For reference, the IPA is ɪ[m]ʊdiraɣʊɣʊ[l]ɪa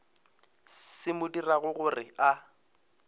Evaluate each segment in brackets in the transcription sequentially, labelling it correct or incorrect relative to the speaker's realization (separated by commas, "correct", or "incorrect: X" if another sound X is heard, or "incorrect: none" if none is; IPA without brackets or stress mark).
correct, incorrect: r